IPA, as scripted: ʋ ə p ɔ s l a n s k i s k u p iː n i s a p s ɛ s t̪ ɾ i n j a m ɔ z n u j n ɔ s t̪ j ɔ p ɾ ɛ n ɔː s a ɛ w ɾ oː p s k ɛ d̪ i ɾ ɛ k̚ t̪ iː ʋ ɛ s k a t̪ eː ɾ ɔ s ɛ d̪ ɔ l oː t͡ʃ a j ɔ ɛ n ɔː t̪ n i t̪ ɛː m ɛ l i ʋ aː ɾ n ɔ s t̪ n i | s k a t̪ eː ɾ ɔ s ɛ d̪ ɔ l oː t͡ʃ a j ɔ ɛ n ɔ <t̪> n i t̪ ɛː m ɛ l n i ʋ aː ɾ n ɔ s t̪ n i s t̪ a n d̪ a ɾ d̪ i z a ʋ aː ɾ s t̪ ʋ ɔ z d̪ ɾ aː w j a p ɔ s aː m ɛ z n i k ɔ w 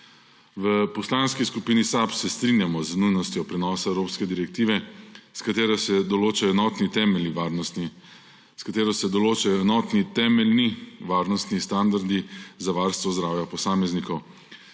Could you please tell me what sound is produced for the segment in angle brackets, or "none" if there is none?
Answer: t̪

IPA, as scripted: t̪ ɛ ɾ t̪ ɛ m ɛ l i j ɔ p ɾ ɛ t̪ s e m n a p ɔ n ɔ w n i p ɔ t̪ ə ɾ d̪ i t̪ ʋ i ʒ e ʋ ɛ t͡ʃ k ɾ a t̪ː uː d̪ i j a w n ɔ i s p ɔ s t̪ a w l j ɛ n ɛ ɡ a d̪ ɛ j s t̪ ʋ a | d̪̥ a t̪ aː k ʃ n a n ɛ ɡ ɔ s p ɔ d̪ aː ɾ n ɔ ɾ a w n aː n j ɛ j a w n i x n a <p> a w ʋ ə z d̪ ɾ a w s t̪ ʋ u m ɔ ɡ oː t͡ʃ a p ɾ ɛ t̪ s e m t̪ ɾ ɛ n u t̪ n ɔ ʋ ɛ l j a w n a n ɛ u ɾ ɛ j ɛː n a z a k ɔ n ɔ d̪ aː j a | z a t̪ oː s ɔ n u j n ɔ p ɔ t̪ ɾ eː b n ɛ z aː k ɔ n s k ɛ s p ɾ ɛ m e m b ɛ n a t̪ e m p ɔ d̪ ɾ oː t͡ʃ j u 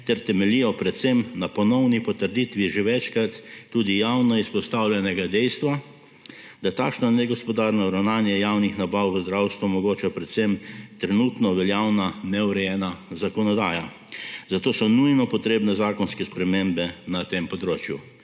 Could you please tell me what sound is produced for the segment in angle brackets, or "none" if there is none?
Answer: b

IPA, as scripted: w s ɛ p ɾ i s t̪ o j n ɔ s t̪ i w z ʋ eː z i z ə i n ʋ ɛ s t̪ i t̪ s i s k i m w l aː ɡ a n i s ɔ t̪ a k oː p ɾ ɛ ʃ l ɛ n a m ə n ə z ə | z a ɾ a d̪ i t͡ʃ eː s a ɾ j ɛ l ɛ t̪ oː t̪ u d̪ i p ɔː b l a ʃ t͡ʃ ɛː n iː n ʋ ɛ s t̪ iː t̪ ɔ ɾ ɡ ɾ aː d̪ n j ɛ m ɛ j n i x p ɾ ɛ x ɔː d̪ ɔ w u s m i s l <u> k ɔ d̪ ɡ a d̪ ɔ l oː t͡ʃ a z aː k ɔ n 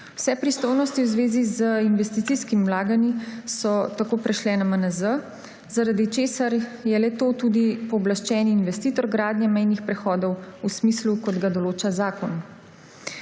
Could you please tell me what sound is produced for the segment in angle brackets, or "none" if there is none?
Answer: u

